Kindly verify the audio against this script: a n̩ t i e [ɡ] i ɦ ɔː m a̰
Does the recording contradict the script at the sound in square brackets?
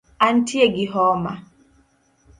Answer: no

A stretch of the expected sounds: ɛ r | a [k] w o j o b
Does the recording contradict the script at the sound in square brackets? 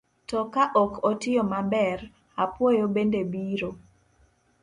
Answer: yes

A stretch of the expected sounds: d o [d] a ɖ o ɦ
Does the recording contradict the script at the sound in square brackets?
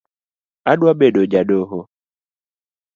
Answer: yes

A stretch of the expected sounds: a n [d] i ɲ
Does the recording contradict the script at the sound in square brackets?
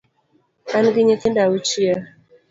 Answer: yes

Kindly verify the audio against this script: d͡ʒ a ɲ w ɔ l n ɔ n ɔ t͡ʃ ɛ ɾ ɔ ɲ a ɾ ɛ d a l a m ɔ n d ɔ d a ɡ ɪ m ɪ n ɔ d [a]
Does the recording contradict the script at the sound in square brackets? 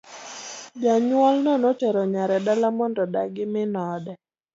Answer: yes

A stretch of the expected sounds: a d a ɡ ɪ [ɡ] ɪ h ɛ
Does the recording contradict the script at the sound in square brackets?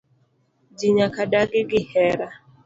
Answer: no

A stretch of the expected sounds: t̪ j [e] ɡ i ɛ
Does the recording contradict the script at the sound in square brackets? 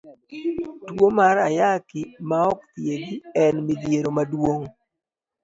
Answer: no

